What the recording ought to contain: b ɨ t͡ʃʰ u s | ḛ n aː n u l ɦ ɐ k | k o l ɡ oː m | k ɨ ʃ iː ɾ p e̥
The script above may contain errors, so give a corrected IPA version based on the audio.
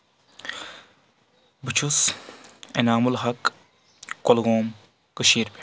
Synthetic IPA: b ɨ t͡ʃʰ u s | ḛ n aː m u l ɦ ɐ k | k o l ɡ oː m | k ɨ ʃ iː ɾ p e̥